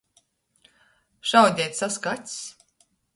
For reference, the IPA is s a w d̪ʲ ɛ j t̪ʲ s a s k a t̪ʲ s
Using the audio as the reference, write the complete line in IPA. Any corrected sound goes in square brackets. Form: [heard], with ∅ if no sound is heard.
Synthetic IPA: [ʃ] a w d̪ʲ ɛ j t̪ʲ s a s k a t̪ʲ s